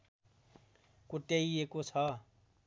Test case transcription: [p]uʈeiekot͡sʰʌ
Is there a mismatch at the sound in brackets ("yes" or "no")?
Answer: yes